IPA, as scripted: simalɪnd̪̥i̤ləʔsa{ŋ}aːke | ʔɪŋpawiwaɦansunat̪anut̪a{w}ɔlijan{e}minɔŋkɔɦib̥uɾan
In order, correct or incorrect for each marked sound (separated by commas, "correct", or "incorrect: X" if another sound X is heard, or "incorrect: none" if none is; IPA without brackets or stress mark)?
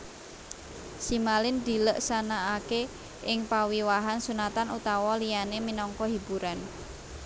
incorrect: n, correct, correct